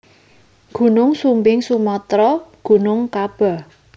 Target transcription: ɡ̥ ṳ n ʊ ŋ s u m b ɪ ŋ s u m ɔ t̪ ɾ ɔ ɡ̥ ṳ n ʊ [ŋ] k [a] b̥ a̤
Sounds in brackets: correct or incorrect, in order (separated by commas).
correct, correct